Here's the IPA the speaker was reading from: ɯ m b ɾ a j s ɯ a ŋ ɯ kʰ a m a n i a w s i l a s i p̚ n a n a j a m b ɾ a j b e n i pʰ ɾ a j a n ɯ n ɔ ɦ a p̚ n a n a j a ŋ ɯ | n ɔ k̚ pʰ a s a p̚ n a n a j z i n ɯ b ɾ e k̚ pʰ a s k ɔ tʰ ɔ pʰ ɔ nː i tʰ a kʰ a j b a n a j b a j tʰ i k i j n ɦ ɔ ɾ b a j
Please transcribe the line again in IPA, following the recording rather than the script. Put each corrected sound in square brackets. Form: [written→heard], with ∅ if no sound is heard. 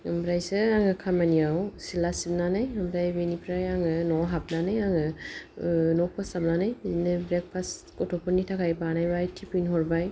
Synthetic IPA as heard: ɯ m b ɾ a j s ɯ a ŋ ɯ kʰ a m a n i a w s i l a s i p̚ n a n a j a m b ɾ a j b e n i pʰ ɾ a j a [n→ŋ] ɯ n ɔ ɦ a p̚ n a n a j a ŋ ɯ | n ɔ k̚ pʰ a s a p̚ n a n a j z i n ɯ b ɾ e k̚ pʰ a s k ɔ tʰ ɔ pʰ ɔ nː i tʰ a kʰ a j b a n a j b a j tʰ i [k→p] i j n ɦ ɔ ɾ b a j